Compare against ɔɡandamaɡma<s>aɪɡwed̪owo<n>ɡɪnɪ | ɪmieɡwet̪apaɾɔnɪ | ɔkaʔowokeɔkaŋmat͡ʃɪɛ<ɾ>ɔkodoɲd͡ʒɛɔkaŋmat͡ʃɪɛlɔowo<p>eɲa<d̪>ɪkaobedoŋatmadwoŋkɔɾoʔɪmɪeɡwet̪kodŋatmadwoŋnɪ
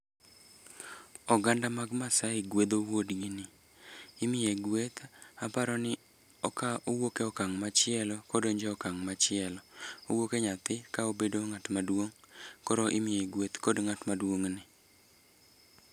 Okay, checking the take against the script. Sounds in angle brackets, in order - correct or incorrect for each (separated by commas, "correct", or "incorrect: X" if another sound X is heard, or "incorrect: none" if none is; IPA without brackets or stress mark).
correct, incorrect: d, incorrect: l, incorrect: k, incorrect: t̪